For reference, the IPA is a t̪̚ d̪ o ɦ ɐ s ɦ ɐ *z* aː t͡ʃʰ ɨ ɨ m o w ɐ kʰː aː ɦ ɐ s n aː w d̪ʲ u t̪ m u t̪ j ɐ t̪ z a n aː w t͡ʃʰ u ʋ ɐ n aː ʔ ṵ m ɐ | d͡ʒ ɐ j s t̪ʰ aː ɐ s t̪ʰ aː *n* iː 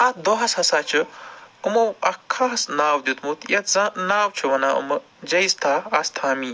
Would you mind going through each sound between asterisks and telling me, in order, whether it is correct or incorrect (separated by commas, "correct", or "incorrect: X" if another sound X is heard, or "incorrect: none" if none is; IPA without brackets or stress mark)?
incorrect: s, incorrect: m